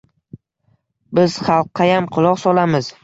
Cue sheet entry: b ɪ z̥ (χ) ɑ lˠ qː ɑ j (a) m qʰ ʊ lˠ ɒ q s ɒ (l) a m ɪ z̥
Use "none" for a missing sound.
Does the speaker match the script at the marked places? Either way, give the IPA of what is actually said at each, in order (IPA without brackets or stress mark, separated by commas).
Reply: χ, a, l